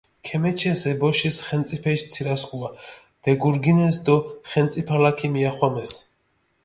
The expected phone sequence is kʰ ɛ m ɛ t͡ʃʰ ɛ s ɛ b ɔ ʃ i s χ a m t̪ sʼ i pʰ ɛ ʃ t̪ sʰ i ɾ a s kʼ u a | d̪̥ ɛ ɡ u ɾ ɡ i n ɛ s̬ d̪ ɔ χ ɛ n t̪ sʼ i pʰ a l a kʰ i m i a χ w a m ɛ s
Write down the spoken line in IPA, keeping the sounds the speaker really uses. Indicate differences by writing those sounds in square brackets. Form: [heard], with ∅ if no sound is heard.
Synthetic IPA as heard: kʰ ɛ m ɛ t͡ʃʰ ɛ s ɛ b ɔ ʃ i s χ [ɛ] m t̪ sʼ i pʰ ɛ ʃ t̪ sʰ i ɾ a s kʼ u a | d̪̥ ɛ ɡ u ɾ ɡ i n ɛ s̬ d̪ ɔ χ ɛ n t̪ sʼ i pʰ a l a kʰ i m i a χ w a m ɛ s